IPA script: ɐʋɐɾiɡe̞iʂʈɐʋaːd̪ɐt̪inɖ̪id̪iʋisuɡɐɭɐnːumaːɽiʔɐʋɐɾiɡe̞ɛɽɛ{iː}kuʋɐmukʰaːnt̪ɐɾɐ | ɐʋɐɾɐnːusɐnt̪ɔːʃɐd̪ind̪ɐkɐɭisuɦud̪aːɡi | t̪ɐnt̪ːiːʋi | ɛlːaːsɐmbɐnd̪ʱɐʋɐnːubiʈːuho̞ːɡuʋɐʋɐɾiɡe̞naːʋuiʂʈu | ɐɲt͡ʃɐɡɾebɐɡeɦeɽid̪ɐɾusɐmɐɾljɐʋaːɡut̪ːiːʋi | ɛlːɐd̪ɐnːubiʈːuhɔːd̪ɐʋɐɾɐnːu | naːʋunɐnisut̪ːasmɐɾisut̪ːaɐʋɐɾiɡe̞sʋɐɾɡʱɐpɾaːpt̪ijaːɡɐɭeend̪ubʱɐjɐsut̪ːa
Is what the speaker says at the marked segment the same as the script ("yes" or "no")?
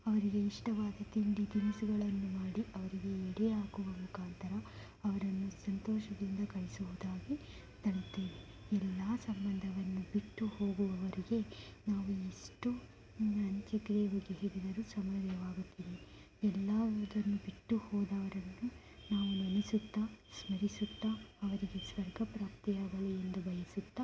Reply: no